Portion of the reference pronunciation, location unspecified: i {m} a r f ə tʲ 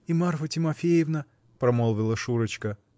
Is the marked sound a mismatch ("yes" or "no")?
no